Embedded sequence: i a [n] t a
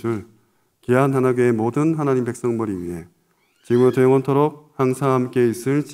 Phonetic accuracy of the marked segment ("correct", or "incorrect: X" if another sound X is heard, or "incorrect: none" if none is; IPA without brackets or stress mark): correct